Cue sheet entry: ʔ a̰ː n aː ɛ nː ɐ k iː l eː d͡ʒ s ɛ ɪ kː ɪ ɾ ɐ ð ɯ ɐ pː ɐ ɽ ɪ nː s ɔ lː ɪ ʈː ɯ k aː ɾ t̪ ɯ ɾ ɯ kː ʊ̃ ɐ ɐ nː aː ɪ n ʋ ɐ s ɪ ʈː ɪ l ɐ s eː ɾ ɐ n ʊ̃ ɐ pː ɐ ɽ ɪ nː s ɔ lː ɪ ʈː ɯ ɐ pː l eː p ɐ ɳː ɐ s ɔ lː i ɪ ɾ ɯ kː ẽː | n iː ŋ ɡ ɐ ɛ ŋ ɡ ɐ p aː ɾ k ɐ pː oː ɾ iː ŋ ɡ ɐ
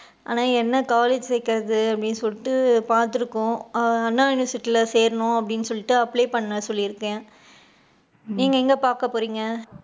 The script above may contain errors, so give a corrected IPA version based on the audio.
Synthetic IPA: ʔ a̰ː n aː ɛ nː ɐ k aː l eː d͡ʒ s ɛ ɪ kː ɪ ɾ ɐ ð ɯ ɐ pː ɐ ɽ ɪ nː s ɔ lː ɪ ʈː ɯ p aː ɾ t̪ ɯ ɾ ɯ kː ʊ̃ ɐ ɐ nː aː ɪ n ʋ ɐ s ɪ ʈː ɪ l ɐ s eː ɾ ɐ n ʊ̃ ɐ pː ɐ ɽ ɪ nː s ɔ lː ɪ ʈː ɯ ɐ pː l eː p ɐ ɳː ɐ s ɔ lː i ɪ ɾ ɯ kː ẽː | n iː ŋ ɡ ɐ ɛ ŋ ɡ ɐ p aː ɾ k ɐ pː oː ɾ iː ŋ ɡ ɐ